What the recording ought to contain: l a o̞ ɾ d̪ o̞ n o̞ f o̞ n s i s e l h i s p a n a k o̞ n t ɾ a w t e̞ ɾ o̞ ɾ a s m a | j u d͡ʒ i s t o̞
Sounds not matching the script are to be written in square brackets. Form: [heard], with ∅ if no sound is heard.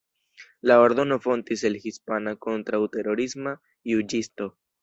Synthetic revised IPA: l a o̞ ɾ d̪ o̞ n o̞ f o̞ n [t] i s e l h i s p a n a k o̞ n t ɾ a w t e̞ ɾ o̞ ɾ [i] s m a | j u d͡ʒ i s t o̞